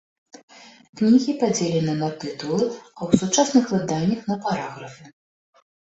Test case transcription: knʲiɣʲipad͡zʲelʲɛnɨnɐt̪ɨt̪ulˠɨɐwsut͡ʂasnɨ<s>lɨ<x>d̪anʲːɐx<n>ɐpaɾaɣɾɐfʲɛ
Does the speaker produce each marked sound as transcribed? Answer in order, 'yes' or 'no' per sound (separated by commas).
no, no, yes